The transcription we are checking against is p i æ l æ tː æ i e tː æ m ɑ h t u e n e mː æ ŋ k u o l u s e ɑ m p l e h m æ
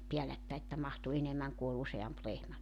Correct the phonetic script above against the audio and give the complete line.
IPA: p i æ l æ tː æ i e tː æ m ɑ h t u e n e mː æ ŋ k u o l u s e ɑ m p l e h m æ